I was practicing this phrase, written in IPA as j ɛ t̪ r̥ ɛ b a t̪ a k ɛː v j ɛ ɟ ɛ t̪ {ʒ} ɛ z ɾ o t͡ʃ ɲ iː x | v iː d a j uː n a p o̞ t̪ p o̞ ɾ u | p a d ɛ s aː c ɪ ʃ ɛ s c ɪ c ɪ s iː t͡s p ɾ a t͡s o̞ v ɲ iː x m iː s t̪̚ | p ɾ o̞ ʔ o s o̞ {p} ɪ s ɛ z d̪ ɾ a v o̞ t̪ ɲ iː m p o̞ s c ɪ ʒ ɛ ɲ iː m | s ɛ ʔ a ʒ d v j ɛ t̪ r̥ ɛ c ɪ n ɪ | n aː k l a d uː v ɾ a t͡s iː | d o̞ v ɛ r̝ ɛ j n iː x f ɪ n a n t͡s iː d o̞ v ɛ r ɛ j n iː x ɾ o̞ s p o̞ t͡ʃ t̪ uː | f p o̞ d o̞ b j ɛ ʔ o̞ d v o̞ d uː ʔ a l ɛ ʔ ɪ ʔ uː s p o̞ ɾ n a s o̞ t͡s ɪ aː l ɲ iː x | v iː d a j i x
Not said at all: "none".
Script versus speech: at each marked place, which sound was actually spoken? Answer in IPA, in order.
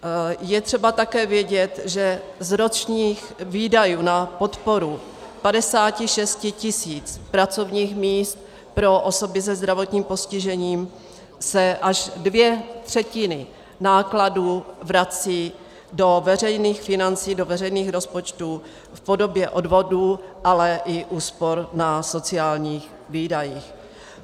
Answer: ʒ, b

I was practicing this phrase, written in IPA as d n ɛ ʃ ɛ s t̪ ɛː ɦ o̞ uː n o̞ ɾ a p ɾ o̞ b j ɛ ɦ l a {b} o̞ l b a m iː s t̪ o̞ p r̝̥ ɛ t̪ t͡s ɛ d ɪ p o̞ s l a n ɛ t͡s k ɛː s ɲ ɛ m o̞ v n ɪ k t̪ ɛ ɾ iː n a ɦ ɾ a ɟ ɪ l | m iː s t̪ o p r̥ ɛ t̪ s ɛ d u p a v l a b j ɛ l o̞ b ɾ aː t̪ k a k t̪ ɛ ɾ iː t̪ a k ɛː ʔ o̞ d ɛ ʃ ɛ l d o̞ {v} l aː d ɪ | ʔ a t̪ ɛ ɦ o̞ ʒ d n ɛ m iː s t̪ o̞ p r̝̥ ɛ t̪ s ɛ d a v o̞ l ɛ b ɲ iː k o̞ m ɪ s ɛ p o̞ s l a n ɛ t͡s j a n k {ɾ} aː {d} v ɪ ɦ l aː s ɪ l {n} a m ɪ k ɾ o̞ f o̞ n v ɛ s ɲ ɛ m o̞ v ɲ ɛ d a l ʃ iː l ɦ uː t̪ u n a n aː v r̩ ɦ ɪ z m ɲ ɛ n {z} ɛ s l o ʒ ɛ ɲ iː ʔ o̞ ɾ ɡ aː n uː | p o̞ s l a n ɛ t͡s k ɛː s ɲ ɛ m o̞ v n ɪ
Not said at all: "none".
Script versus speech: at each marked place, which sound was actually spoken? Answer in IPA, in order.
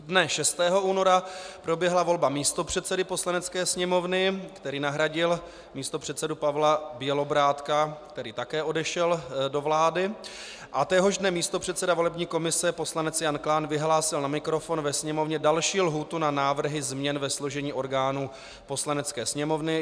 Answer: v, v, l, n, n, v

